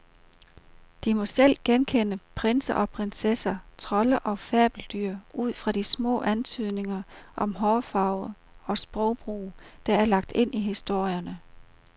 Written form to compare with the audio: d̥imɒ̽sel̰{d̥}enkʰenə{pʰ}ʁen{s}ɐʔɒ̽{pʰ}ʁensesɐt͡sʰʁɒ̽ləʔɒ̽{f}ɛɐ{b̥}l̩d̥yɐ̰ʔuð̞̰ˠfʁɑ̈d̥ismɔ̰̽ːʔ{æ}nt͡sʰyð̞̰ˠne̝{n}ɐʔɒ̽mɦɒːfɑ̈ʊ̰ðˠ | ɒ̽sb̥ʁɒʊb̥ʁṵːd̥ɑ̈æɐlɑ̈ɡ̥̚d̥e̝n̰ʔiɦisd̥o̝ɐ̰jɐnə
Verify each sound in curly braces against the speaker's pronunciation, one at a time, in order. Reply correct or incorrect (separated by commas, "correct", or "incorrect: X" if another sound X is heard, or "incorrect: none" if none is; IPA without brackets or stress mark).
incorrect: ɡ̥, correct, correct, correct, correct, correct, correct, incorrect: ŋ